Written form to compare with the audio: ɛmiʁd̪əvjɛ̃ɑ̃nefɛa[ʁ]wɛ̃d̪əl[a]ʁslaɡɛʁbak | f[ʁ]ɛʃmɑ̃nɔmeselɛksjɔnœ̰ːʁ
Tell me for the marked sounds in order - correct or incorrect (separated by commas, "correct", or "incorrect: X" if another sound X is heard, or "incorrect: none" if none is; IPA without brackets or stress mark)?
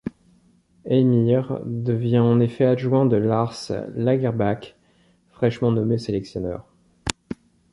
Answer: incorrect: ʒ, correct, incorrect: χ